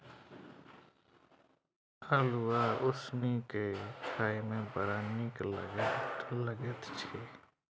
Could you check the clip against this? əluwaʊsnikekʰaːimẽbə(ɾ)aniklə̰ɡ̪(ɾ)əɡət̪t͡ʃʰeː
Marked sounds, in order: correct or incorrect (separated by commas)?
correct, incorrect